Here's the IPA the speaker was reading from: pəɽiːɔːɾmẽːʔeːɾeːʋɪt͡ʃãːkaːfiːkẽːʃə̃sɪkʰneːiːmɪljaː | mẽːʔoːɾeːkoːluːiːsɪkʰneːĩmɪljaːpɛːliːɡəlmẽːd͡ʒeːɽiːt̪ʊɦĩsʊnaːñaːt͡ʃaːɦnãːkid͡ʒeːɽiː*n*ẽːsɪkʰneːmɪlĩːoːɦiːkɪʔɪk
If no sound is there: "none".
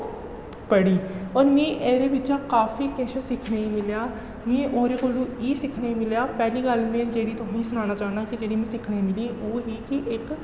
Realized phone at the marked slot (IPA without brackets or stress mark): m